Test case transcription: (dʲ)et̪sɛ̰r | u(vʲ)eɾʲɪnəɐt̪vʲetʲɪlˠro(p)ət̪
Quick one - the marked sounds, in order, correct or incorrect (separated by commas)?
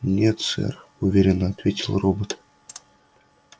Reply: incorrect, correct, incorrect